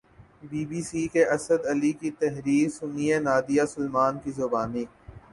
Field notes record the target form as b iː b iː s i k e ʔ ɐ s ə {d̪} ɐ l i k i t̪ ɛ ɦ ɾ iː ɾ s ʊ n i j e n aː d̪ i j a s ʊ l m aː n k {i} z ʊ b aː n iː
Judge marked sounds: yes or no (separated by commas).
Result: yes, yes